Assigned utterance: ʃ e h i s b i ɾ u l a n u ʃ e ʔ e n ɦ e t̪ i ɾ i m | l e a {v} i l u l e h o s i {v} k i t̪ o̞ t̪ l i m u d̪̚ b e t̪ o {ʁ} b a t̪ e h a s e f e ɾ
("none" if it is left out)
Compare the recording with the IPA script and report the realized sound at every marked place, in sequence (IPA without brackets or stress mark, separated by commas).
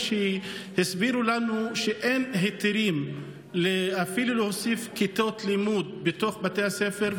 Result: f, f, χ